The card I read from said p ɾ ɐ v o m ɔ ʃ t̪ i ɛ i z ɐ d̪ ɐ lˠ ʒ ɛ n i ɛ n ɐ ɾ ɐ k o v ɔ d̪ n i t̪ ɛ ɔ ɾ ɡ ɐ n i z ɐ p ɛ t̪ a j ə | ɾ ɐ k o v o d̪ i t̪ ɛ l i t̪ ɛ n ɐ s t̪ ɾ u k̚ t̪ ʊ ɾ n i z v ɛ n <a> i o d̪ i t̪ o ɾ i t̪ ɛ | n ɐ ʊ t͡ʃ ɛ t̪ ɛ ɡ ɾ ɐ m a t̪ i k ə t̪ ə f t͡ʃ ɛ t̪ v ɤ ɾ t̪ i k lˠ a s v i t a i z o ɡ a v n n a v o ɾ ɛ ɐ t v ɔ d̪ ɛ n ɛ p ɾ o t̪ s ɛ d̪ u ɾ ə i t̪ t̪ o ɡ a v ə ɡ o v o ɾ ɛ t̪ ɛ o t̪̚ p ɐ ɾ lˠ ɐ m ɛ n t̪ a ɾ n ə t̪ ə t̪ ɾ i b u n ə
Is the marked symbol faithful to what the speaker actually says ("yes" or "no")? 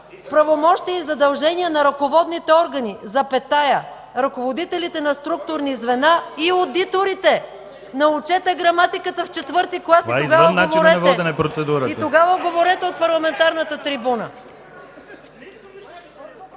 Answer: yes